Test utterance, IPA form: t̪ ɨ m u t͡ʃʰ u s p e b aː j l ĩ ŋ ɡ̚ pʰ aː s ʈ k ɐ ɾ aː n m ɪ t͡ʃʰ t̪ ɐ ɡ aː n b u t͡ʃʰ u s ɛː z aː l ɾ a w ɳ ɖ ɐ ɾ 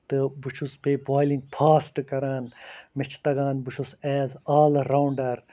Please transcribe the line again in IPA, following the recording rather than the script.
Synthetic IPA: t̪ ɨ b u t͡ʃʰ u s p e b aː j l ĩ ŋ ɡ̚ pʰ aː s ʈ k ɐ ɾ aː n m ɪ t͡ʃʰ t̪ ɐ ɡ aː n b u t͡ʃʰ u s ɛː z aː l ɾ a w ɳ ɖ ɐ ɾ